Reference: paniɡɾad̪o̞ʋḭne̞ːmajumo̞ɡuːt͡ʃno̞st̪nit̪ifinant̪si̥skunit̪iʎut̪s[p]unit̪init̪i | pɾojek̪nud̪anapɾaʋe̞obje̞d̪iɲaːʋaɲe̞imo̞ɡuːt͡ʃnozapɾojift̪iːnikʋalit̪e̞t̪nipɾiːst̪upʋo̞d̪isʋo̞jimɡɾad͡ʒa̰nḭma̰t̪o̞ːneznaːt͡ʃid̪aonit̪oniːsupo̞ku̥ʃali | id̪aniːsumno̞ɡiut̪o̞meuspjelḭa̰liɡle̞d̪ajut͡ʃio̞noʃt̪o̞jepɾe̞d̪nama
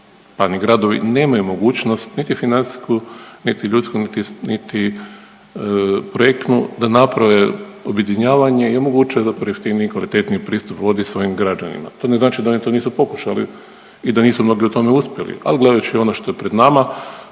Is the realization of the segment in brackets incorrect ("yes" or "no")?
yes